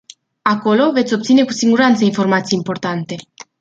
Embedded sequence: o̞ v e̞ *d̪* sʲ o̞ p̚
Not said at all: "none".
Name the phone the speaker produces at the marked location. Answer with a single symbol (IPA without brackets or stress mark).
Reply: t̪